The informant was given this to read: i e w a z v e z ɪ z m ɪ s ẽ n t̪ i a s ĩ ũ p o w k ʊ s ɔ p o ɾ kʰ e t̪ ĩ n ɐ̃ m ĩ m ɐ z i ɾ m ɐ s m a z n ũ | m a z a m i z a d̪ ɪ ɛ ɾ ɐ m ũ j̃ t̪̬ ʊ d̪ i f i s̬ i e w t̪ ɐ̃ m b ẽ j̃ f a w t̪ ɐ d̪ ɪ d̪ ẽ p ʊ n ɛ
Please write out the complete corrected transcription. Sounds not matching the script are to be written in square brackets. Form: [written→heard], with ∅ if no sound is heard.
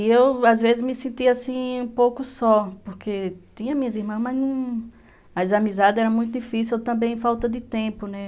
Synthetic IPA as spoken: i e w a z v e z ɪ z m ɪ s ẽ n t̪ i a s ĩ ũ p o w k ʊ s ɔ p o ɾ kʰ e t̪ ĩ [n→ɲ] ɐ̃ m ĩ [m→ɲ] ɐ z i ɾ m [ɐ→ɐ̃] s m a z n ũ | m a z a m i z a d̪ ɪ ɛ ɾ ɐ m ũ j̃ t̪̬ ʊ d̪ i f i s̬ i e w t̪ ɐ̃ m b ẽ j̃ f a w t̪ ɐ d̪ ɪ [d̪→t̪] ẽ p ʊ n ɛ